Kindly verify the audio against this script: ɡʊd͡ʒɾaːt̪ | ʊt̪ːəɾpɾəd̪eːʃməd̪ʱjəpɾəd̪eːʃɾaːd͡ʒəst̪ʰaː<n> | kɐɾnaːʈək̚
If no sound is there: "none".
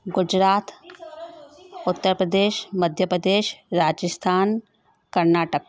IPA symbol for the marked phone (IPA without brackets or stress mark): n